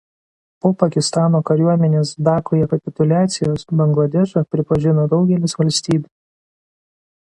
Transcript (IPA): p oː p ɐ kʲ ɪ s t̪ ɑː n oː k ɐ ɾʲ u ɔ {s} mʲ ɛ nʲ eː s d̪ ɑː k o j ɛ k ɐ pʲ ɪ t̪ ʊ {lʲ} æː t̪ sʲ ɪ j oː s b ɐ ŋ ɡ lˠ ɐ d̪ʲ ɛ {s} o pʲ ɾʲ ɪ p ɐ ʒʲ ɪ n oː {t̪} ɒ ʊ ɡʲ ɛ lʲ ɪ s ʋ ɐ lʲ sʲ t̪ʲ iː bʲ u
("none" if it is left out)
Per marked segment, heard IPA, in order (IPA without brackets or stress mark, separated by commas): none, lʲ, ʃ, d̪